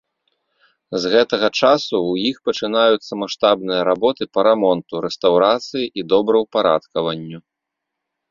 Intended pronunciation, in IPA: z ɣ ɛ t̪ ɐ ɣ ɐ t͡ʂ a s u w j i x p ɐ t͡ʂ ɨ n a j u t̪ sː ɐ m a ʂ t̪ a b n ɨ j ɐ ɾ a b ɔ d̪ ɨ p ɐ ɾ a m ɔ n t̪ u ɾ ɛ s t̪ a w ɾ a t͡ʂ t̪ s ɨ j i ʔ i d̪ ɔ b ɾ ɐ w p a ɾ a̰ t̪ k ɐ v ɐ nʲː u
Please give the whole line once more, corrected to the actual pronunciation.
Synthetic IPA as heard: z ɣ ɛ t̪ ɐ ɣ ɐ t͡ʂ a s u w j i x p ɐ t͡ʂ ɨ n a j u t̪ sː ɐ m a ʂ t̪ a b n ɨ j ɐ ɾ a b ɔ t̪ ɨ p ɐ ɾ a m ɔ n t̪ u ɾ ɛ s t̪ a w ɾ a t̪ s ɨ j i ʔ i d̪ ɔ b ɾ ɐ w p a ɾ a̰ t̪ k ɐ v ɐ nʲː u